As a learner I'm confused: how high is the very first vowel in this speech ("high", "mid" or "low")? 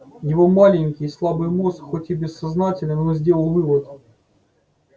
high